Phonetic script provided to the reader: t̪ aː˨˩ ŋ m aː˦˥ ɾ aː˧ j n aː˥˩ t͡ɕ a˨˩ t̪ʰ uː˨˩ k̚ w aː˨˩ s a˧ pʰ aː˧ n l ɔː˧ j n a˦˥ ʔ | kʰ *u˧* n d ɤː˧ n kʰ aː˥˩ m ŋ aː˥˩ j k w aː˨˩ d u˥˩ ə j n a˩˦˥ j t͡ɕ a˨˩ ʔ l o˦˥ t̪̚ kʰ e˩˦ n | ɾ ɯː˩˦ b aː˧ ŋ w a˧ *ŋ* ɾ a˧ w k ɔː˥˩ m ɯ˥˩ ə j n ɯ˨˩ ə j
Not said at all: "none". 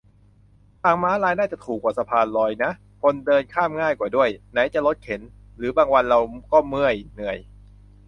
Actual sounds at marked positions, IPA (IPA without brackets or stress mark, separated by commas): o˧, n